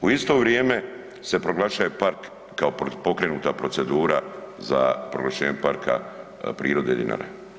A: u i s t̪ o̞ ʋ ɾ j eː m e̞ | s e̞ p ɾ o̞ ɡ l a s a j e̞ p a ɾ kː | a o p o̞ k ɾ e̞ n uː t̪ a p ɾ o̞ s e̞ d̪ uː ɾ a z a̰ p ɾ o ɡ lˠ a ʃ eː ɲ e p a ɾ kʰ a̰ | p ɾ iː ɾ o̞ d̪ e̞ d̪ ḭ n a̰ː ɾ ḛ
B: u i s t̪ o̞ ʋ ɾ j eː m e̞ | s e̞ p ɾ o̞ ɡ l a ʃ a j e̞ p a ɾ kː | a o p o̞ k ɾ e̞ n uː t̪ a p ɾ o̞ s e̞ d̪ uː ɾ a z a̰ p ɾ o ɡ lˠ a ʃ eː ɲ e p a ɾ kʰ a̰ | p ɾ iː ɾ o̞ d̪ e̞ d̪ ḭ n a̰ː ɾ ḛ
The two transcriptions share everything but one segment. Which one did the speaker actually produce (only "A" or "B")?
B